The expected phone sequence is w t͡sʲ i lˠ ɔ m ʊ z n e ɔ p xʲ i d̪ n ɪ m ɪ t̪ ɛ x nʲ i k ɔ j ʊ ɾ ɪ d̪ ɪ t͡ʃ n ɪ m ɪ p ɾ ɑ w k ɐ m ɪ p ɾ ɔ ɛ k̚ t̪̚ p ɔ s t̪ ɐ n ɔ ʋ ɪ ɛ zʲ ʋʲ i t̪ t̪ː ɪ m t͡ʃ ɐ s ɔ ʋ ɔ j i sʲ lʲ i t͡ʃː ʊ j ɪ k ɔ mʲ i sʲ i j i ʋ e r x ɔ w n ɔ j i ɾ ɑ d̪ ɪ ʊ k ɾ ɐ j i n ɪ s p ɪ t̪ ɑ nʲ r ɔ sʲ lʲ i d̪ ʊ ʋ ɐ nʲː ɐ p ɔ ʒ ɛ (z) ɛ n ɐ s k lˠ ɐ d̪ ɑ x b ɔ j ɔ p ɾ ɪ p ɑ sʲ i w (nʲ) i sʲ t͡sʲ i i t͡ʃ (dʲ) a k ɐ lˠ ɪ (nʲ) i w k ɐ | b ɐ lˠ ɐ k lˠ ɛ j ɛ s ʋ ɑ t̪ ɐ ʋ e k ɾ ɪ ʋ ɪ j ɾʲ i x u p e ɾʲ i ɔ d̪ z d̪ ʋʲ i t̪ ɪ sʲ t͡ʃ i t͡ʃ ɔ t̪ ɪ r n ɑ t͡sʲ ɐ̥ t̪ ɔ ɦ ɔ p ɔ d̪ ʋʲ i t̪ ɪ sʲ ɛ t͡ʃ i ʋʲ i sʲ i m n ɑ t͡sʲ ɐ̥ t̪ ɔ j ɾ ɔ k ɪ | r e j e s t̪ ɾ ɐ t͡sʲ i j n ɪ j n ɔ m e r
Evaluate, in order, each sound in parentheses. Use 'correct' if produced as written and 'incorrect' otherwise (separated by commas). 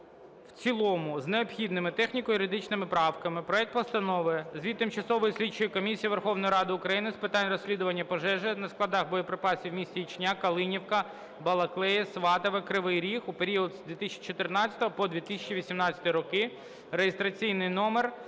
incorrect, incorrect, incorrect, correct